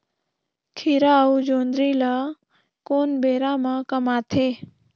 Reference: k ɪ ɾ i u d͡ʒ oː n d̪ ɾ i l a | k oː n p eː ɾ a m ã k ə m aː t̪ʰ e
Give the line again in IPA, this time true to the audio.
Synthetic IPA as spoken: kʰ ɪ ɾ a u d͡ʒ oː n d̪ ɾ i l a | k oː n b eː ɾ a m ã k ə m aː t̪ʰ e